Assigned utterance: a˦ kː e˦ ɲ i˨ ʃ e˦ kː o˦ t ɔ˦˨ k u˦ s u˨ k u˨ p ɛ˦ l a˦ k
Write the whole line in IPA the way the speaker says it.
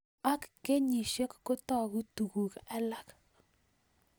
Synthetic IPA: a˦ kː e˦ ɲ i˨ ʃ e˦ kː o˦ t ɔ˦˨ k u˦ t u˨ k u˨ k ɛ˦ l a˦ k